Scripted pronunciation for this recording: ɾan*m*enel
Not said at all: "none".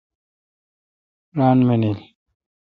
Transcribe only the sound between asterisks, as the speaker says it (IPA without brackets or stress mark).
m